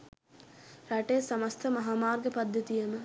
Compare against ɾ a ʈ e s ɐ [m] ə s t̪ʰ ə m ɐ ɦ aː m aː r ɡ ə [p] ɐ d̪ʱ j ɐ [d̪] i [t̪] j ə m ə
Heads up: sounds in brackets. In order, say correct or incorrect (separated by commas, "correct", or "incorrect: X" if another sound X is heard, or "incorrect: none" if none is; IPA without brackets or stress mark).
correct, correct, incorrect: t̪, incorrect: none